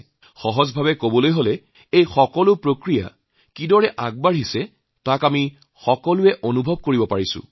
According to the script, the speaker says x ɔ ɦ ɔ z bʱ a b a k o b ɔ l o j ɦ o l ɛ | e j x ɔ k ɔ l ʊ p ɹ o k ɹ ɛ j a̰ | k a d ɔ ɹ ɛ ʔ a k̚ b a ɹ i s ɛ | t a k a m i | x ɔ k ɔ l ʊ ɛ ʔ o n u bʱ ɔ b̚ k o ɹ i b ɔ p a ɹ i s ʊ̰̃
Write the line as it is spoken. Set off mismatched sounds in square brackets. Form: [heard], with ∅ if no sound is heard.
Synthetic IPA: x ɔ ɦ ɔ z bʱ a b [ɛ] k o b ɔ l o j ɦ o l ɛ | e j x ɔ k ɔ l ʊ p ɹ o k ɹ [i] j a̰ | k [i] d ɔ ɹ ɛ ʔ a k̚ b a ɹ i s ɛ | t a k a m i | x ɔ k ɔ l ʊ ɛ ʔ o n u bʱ ɔ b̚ k o ɹ i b ɔ p a ɹ i s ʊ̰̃